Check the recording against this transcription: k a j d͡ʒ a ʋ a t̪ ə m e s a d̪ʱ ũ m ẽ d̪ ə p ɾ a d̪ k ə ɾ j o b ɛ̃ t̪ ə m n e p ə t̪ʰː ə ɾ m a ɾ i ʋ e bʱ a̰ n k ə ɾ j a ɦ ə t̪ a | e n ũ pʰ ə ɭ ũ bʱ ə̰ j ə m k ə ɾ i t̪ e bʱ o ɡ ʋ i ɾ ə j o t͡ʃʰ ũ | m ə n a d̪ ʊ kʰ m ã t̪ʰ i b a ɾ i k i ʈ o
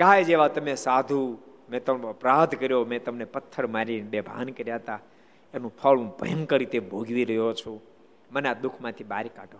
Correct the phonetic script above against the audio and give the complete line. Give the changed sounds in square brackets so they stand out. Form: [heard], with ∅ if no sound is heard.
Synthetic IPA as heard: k a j d͡ʒ [e] ʋ a t̪ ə m e s a d̪ʱ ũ m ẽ [t̪] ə p ɾ a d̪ k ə ɾ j o [m] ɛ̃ t̪ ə m n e p ə t̪ʰː ə ɾ m a ɾ i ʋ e bʱ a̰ n k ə ɾ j a ɦ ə t̪ a | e n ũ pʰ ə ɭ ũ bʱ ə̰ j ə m k ə ɾ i t̪ e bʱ o ɡ ʋ i ɾ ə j o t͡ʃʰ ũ | m ə n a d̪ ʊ kʰ m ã t̪ʰ i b a ɾ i k [a] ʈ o